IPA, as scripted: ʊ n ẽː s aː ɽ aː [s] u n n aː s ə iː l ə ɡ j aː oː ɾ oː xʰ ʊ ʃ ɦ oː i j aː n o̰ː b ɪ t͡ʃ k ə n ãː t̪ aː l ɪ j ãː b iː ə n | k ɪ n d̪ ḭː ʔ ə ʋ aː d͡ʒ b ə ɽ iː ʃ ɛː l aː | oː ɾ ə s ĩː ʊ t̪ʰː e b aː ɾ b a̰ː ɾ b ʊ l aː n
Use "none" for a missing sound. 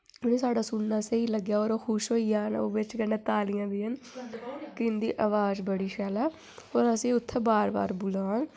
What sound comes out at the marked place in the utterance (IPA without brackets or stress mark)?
s